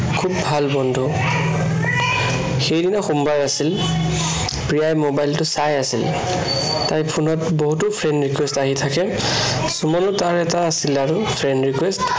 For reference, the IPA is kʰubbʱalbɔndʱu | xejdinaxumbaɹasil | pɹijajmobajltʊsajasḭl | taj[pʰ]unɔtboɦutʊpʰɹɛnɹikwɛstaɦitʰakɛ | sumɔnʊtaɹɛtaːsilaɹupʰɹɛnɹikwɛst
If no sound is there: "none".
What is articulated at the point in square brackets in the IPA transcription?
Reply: pʰ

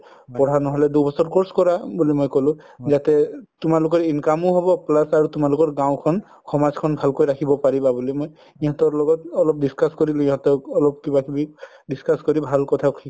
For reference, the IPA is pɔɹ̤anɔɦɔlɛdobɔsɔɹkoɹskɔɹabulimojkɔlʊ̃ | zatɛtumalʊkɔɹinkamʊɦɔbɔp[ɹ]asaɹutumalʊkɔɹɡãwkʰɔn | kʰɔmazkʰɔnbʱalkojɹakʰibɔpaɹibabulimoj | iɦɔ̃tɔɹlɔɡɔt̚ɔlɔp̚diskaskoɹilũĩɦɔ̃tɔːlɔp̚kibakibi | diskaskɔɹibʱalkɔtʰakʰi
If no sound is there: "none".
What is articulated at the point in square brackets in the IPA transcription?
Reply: l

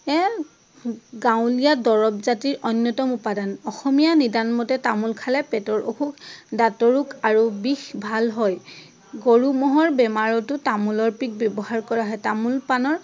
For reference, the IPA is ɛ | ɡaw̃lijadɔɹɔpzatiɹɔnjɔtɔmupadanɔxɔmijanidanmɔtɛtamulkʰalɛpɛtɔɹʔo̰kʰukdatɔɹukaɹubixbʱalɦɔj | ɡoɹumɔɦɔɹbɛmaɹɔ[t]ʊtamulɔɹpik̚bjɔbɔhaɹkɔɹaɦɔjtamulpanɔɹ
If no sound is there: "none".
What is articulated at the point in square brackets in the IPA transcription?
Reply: t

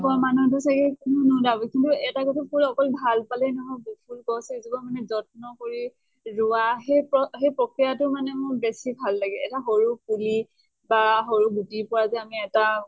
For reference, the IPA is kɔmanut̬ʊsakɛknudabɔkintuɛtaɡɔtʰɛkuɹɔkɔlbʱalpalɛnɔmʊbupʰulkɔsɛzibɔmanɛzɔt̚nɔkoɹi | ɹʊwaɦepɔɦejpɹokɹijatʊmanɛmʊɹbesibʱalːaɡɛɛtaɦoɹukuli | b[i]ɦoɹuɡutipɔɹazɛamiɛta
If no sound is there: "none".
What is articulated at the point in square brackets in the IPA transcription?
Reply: a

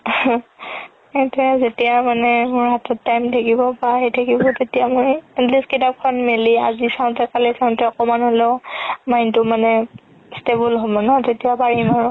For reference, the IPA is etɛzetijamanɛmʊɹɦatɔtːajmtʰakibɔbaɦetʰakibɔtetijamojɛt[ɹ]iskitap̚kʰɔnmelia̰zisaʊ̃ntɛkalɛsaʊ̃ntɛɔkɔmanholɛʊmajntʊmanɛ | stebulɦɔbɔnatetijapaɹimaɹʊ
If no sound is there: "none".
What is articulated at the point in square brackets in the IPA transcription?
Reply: l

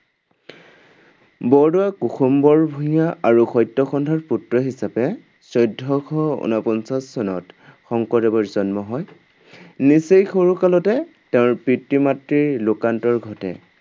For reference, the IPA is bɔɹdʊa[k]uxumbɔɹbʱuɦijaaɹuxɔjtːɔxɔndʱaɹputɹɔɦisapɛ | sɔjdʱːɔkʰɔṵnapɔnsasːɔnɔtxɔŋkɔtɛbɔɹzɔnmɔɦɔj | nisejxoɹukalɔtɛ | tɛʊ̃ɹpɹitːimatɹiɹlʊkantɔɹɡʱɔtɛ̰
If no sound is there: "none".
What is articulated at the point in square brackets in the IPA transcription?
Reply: k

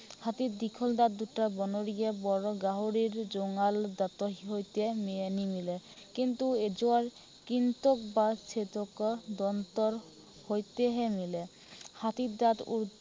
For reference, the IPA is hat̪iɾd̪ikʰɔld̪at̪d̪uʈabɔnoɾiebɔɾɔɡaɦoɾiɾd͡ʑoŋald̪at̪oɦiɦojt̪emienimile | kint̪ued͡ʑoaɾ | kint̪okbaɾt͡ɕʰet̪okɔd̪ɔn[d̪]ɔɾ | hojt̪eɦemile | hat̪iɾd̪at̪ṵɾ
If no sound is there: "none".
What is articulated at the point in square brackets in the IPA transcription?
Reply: t̪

